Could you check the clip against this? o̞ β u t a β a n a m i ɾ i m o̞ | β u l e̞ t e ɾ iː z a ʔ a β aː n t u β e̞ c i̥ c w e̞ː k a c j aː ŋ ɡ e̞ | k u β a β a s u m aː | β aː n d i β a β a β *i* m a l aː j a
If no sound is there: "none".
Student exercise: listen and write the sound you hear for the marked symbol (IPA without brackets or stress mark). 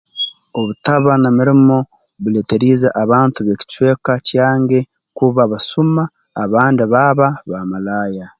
a